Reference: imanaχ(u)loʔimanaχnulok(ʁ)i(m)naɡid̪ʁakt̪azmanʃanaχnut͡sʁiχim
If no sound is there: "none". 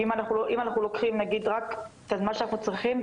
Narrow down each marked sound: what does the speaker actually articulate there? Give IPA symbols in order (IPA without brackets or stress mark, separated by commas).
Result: u, χ, m